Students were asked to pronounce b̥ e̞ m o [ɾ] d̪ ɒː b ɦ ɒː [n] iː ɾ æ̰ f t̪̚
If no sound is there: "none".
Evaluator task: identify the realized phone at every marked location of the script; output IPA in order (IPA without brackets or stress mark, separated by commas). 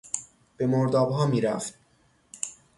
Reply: ɾ, m